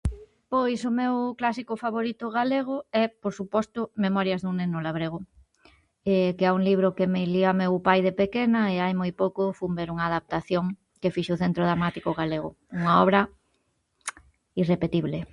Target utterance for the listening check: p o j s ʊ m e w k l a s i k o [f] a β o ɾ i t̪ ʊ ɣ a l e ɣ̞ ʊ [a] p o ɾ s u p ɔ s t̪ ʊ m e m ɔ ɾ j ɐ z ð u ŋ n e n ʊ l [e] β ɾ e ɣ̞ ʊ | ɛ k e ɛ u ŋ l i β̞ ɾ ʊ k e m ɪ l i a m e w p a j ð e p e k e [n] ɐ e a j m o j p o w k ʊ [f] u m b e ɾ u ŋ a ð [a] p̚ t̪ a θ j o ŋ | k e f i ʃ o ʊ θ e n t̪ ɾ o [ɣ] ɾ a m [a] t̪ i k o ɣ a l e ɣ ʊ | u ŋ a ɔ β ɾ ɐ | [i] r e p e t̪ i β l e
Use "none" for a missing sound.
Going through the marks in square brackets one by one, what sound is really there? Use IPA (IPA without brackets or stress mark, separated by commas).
f, ɛ, a, n, f, a, ð, a, i